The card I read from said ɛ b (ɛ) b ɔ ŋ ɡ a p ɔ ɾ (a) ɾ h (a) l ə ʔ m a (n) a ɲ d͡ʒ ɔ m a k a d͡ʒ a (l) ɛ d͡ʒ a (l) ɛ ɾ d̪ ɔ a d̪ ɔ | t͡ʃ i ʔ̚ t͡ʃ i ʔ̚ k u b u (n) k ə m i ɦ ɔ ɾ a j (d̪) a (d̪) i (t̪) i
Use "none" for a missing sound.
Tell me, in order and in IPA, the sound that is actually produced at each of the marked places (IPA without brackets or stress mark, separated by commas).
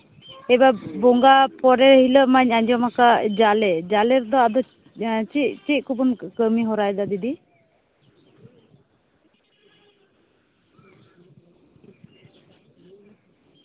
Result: a, ɛ, i, ɲ, l, l, n, d̪, d̪, d̪